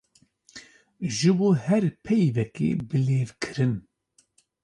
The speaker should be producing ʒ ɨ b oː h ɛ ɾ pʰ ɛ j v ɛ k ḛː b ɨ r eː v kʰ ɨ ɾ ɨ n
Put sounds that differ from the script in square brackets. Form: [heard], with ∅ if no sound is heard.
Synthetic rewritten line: ʒ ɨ b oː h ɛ ɾ pʰ ɛ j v ɛ k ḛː b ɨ [l] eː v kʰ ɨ ɾ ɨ n